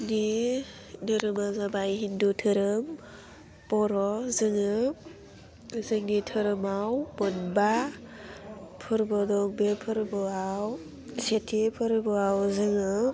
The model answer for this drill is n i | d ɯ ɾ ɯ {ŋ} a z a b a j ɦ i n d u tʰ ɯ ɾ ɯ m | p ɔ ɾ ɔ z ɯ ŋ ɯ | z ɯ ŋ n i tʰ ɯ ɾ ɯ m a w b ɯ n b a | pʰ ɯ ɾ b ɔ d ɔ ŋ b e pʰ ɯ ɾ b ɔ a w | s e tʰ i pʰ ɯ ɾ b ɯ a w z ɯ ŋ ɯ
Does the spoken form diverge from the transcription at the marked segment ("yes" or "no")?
yes